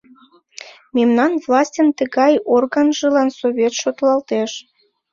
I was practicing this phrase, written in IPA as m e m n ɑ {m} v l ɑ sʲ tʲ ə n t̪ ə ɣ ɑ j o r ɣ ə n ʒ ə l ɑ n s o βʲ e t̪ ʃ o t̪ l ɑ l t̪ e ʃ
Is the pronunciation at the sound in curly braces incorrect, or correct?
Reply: incorrect